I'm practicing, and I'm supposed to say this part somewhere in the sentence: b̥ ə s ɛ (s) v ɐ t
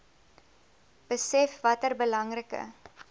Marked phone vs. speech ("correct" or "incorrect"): incorrect